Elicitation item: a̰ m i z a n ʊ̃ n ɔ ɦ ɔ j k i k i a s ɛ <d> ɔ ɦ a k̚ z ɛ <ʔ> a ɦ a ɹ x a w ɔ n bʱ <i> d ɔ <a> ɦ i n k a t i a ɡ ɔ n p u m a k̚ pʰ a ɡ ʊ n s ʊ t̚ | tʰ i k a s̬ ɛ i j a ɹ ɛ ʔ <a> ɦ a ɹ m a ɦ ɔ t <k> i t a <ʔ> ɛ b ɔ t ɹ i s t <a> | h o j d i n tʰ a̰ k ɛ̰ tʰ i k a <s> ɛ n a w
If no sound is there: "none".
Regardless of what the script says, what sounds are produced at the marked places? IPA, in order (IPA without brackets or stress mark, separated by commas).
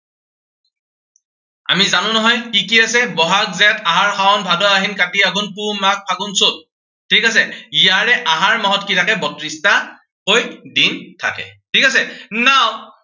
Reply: b, t, a, a, a, k, k, a, s